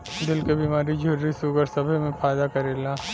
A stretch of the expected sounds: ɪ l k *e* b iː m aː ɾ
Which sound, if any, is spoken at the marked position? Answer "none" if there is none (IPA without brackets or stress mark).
e